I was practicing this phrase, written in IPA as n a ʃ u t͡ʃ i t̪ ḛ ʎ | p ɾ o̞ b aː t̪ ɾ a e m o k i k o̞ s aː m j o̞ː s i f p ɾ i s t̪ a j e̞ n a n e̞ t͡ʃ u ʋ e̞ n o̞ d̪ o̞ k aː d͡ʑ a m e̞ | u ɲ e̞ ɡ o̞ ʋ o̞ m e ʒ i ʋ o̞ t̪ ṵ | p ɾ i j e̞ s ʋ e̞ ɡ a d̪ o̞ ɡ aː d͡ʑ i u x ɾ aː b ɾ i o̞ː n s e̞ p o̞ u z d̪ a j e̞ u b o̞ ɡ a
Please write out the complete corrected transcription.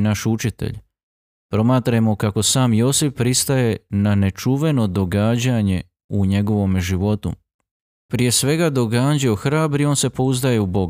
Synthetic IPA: n a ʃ u t͡ʃ i t̪ ḛ ʎ | p ɾ o̞ m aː t̪ ɾ a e m o k a k o̞ s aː m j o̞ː s i f p ɾ i s t̪ a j e̞ n a n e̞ t͡ʃ u ʋ e̞ n o̞ d̪ o̞ ɡ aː d͡ʑ a ɲ e̞ | u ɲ e̞ ɡ o̞ ʋ o̞ m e ʒ i ʋ o̞ t̪ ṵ | p ɾ i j e̞ s ʋ e̞ ɡ a d̪ o̞ ɡ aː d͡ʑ i o x ɾ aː b ɾ i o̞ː n s e̞ p o̞ u z d̪ a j e̞ u b o̞ ɡ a